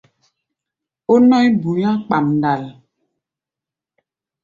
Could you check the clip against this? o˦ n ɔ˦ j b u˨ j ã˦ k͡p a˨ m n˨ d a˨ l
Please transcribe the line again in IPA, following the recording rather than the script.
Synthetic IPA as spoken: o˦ n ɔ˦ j b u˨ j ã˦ k͡p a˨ m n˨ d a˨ l